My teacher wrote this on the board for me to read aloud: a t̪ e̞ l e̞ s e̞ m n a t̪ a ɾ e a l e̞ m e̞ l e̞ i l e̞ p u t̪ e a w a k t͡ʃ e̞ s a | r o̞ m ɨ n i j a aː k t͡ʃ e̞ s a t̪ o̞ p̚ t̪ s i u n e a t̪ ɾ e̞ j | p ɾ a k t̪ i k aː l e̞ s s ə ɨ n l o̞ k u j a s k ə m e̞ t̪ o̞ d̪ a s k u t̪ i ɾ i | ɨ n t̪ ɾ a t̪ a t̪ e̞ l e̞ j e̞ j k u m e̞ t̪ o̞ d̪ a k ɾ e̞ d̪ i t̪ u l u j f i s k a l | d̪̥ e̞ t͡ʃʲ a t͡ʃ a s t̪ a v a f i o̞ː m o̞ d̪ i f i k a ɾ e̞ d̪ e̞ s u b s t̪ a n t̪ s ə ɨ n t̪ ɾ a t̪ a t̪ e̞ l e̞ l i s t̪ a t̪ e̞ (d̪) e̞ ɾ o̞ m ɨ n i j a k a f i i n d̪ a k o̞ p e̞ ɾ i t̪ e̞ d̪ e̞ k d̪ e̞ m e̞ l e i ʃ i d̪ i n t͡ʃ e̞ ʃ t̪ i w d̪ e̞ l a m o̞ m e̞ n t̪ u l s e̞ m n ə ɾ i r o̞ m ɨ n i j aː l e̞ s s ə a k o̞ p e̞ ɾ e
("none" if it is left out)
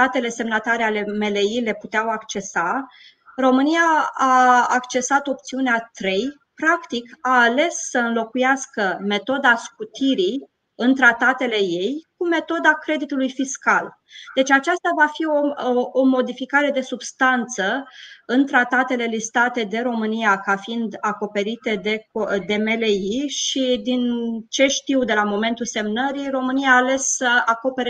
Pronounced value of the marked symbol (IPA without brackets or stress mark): d̪